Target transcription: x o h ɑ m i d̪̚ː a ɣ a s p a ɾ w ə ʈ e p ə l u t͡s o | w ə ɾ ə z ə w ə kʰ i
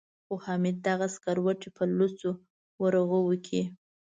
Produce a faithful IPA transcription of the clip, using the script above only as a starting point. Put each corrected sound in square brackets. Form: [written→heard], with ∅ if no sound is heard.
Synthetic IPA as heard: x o h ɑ m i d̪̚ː a ɣ a s [p→k] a ɾ w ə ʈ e p ə l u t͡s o | w ə ɾ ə [z→ɣ] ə w ə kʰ i